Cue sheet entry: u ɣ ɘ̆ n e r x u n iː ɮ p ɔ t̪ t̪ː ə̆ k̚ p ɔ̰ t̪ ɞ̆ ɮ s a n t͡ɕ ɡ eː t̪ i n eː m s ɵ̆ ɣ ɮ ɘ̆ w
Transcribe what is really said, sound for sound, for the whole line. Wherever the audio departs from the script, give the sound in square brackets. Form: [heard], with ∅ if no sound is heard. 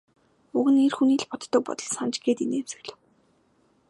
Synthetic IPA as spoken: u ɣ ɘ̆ n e r x u n iː ɮ p ɔ t̪ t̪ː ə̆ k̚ p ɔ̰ t̪ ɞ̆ ɮ s a n t͡ɕ ɡ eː t̪ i n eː m s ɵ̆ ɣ ɮ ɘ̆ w